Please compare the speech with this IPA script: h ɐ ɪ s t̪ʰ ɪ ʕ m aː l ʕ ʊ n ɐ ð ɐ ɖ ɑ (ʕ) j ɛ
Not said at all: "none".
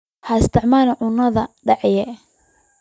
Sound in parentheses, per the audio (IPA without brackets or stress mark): ʕ